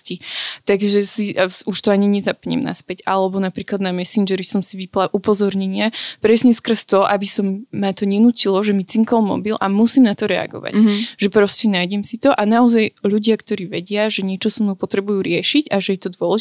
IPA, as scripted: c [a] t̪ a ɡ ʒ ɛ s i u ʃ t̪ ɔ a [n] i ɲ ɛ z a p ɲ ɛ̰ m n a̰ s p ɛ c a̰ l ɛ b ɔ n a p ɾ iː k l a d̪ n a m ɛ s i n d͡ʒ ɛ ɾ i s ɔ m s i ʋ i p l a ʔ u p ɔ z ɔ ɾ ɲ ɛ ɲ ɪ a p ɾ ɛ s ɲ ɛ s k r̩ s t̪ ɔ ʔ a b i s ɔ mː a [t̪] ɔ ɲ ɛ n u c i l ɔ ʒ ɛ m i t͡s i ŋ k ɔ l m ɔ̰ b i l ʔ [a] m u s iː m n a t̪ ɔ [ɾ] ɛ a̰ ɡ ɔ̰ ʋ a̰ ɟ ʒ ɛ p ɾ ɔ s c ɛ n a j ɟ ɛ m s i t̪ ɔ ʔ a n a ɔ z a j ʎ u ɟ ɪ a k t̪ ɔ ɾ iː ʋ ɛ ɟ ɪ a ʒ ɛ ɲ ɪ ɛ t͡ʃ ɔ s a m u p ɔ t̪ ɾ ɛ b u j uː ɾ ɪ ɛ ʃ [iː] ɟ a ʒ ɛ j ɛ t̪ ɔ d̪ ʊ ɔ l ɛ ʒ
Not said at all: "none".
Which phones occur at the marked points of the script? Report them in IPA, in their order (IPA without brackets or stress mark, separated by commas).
i, ɲ, t̪, a, ɾ, i